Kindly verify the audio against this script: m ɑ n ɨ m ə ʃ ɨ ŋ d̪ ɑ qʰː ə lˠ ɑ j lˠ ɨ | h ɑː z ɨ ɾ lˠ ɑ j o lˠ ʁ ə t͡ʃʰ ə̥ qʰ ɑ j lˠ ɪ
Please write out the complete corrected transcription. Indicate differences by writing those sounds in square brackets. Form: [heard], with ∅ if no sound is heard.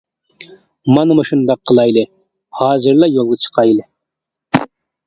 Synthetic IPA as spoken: m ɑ n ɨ m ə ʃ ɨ [n] d̪ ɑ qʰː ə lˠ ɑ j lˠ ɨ | h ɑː z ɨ ɾ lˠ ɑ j o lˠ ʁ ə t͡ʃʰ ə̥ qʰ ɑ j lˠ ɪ